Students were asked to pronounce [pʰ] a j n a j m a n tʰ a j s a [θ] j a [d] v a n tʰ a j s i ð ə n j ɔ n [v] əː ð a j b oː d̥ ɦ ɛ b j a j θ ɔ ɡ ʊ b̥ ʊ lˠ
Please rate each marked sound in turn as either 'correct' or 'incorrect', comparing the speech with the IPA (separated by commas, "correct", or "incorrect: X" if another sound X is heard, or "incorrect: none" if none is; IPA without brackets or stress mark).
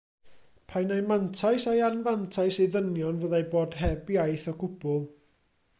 correct, incorrect: none, incorrect: n, correct